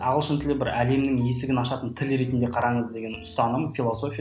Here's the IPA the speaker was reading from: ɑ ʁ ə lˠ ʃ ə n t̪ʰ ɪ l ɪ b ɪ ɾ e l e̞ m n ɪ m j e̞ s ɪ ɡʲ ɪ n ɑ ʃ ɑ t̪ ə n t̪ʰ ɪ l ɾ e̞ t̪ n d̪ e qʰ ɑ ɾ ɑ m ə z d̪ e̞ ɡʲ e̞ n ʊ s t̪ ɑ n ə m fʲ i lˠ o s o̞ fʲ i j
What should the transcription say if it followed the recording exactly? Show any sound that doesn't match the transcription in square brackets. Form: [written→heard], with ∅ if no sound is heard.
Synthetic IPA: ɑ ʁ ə lˠ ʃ ə n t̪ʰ ɪ l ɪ b ɪ ɾ [e→æ] l e̞ m n ɪ [m→ŋ] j e̞ s ɪ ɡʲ ɪ n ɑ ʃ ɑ t̪ ə n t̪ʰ ɪ l ɾ e̞ t̪ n d̪ e qʰ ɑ ɾ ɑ [m→ɴ] ə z d̪ e̞ ɡʲ e̞ n ʊ s t̪ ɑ n ə m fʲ i lˠ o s o̞ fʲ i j